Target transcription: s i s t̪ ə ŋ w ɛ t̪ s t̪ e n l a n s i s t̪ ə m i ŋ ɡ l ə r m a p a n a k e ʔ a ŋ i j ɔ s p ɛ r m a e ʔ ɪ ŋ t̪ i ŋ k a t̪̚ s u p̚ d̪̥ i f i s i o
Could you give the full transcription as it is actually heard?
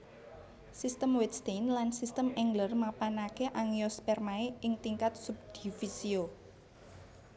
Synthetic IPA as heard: s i s t̪ ə m w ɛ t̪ s t̪ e n l a n s i s t̪ ə m ɛ ŋ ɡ l ə r m a p a n a k e ʔ a ŋ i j ɔ s p ɛ r m a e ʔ ɪ ŋ t̪ i ŋ k a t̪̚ s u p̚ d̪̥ i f i s i o